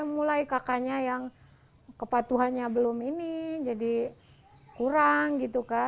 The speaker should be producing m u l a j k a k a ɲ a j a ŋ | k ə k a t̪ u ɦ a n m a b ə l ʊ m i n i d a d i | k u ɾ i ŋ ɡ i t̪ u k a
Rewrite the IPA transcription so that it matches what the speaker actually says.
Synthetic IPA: m u l a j k a k a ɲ a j a ŋ | k ə p a t̪ u ɦ a n ɲ a b ə l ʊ m i n i d͡ʒ a d i | k u ɾ a ŋ ɡ i t̪ u k a